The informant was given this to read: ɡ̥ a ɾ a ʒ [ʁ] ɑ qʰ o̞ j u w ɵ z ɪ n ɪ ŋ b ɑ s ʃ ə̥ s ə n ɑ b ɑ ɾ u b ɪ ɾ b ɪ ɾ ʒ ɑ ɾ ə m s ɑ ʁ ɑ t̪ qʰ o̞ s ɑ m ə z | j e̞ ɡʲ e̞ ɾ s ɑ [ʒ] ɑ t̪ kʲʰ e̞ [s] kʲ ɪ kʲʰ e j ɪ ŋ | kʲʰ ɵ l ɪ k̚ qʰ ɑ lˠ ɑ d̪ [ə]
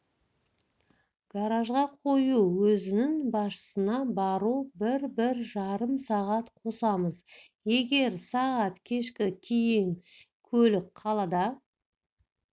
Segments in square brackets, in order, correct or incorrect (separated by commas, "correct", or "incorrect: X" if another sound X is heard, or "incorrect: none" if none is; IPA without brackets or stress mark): correct, incorrect: ʁ, incorrect: ʃ, incorrect: ɑ